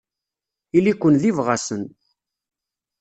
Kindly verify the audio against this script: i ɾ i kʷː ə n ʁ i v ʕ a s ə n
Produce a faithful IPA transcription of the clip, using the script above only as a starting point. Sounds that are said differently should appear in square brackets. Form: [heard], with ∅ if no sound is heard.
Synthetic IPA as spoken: i [l] i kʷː ə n [ð] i v [ʁ] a s ə n